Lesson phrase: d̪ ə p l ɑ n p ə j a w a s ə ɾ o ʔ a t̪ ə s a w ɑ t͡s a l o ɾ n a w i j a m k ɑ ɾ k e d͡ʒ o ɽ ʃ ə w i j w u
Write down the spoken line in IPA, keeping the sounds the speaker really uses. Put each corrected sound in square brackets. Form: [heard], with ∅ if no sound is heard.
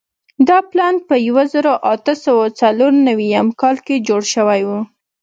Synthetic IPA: d̪ [ɑ] p l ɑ n p ə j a w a [z] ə ɾ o ʔ a t̪ ə s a w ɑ t͡s a l o ɾ n a w i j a m k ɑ [l] k e d͡ʒ o ɽ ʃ ə w [a] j w u